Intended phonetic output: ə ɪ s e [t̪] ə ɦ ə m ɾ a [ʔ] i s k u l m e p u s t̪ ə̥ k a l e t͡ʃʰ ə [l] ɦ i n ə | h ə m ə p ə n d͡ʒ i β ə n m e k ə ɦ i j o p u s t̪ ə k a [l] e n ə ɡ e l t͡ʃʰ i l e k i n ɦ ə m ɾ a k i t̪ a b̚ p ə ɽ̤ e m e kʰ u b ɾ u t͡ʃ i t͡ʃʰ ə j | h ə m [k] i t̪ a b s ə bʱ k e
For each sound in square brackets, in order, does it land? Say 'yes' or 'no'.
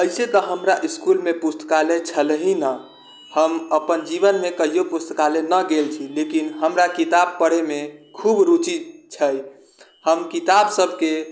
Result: yes, yes, yes, yes, yes

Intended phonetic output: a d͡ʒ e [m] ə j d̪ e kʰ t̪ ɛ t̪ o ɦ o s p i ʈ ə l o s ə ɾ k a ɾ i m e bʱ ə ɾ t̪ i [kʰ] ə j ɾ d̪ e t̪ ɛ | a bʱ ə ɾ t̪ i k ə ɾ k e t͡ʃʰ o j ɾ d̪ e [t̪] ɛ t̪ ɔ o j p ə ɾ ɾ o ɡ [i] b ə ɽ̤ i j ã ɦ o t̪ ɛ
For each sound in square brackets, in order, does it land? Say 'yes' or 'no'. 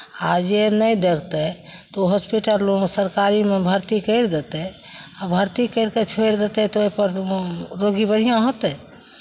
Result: no, no, yes, yes

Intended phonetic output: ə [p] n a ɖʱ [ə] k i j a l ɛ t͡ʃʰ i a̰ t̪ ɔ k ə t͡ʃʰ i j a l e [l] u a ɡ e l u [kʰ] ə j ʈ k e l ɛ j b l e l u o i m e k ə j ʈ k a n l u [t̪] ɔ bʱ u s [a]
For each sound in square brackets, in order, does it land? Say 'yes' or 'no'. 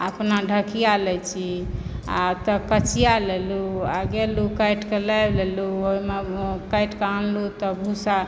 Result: yes, yes, yes, no, yes, yes

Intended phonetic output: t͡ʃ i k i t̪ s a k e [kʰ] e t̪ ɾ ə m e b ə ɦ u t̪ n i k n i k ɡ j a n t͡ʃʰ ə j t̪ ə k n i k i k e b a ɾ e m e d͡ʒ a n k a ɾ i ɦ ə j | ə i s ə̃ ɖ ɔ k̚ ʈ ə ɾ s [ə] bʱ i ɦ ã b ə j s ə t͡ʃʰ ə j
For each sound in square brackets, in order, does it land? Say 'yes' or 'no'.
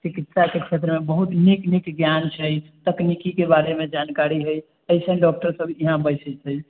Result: yes, yes

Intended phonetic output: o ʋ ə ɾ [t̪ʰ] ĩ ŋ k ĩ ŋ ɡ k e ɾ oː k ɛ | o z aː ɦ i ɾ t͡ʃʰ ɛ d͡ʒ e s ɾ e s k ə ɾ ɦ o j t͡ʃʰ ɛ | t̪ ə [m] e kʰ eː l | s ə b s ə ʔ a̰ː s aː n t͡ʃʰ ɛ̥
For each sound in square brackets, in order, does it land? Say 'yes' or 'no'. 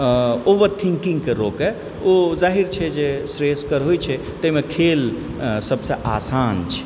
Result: yes, yes

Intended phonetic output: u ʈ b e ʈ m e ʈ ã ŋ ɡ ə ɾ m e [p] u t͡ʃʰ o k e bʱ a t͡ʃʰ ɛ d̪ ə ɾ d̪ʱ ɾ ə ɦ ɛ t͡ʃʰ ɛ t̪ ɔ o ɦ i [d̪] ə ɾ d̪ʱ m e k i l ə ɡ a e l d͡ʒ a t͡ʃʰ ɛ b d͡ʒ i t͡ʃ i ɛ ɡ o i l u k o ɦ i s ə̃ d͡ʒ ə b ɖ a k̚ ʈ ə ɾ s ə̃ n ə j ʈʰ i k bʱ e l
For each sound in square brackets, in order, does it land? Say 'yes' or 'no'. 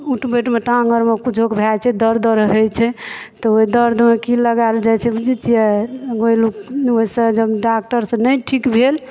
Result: no, yes

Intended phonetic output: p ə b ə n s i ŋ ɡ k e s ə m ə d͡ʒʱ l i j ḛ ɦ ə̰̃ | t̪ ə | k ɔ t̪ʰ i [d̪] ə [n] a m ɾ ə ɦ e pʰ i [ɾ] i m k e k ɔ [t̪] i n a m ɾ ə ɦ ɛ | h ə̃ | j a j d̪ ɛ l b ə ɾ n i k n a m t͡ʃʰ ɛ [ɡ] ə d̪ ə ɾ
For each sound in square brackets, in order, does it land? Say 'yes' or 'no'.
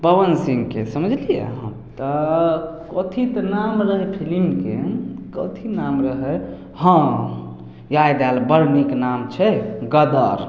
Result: no, yes, no, no, yes

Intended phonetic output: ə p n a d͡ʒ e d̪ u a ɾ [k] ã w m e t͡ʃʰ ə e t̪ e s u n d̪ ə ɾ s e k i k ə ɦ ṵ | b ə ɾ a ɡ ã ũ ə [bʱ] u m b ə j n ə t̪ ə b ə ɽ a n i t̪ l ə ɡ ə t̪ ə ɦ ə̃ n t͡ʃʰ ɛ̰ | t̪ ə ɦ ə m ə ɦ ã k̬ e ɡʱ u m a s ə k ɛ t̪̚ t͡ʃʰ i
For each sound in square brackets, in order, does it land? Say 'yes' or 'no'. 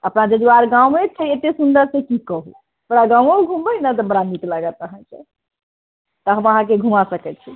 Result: no, no

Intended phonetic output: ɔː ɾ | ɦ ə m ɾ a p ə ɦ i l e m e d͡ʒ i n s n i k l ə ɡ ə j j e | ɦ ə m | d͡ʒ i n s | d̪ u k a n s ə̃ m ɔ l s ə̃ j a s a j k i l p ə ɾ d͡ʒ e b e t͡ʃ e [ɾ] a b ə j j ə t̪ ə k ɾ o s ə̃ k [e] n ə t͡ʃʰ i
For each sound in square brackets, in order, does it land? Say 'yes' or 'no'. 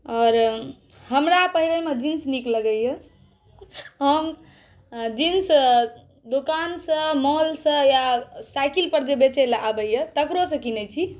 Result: no, no

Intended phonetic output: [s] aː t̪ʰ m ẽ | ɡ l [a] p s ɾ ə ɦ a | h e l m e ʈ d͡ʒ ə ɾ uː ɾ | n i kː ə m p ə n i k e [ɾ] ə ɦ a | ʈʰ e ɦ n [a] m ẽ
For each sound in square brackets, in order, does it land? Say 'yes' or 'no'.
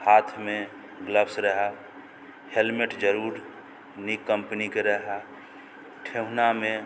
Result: no, no, yes, yes

